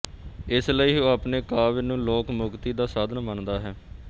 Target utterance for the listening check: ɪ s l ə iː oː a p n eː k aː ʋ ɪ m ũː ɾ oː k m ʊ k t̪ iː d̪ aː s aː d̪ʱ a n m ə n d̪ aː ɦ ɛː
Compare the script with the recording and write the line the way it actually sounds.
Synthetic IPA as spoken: ɪ s l ə iː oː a p n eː k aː ʋ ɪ n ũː l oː k m ʊ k t̪ iː d̪ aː s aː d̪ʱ ə n m ə n d̪ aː ɦ ɛː